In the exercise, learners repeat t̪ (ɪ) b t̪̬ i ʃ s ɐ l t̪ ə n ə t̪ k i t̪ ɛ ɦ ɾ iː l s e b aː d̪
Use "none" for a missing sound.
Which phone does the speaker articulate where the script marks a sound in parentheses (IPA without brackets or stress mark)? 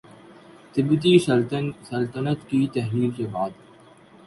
ɪ